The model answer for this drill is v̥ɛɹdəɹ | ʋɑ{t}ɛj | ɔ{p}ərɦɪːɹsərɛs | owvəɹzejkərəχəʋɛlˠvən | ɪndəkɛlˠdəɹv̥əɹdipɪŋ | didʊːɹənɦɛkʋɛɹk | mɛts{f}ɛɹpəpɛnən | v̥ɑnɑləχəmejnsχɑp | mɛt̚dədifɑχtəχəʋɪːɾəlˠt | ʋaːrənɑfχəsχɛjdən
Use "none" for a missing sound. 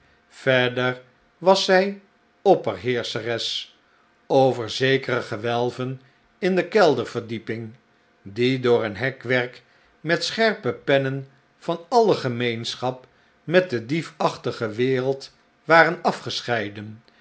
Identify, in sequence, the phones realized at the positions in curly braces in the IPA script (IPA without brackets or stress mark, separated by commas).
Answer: s, p, χ